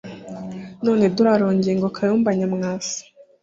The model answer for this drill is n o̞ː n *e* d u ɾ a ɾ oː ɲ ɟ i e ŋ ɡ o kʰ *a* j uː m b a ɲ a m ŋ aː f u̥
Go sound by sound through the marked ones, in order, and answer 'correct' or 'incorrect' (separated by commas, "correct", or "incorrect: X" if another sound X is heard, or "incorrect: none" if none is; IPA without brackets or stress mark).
correct, correct